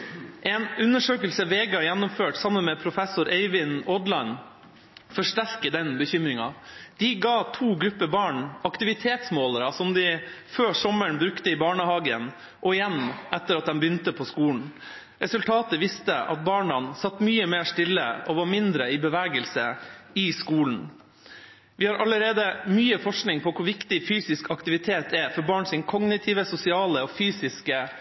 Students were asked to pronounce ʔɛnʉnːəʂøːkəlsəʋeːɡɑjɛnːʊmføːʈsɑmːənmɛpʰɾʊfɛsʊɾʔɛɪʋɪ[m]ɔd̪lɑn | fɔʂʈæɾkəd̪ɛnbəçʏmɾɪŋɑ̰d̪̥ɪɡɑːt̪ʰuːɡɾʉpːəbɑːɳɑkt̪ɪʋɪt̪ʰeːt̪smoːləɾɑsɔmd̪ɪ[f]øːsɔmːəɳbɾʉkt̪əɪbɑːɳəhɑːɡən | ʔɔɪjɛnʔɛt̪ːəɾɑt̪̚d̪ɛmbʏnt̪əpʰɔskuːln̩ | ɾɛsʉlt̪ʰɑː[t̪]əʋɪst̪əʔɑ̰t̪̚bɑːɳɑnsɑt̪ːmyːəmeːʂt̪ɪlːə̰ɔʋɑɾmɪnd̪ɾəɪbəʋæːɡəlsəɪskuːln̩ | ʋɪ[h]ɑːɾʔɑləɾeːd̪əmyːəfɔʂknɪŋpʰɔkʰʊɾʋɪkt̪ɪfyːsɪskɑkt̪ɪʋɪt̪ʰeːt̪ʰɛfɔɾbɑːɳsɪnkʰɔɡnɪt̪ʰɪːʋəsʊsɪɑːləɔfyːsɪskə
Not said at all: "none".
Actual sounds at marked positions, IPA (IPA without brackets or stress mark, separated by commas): n, f, t̪, h